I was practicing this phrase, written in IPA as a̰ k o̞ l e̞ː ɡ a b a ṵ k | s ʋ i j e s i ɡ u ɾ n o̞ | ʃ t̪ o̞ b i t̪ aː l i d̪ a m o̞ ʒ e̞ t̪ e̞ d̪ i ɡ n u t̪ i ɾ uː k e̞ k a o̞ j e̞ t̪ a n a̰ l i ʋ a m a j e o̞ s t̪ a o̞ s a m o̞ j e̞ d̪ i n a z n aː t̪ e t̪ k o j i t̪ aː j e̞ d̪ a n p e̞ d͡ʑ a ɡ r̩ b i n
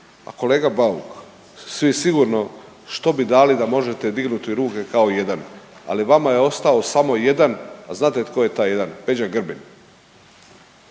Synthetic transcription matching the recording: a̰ k o̞ l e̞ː ɡ a b a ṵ k | s ʋ i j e s i ɡ u ɾ n o̞ | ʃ t̪ o̞ b i d̪ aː l i d̪ a m o̞ ʒ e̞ t̪ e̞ d̪ i ɡ n u t̪ i ɾ uː k e̞ k a o̞ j e̞ d̪ a n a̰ l i ʋ a m a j e o̞ s t̪ a o̞ s a m o̞ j e̞ d̪ a n a z n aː t̪ e t̪ k o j e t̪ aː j e̞ d̪ a n p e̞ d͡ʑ a ɡ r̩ b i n